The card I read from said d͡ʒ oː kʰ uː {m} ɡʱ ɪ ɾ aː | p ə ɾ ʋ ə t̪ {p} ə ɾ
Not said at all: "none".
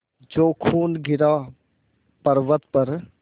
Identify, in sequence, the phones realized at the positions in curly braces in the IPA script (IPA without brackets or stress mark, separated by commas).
n, p